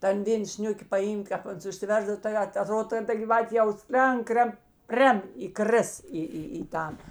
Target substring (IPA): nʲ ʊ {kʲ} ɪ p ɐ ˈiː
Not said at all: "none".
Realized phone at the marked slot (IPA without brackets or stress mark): kʲ